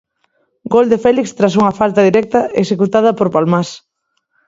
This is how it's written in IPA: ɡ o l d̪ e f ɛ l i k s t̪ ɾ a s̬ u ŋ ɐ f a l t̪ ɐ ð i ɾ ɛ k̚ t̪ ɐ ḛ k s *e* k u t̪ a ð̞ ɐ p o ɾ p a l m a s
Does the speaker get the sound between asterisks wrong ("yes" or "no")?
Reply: no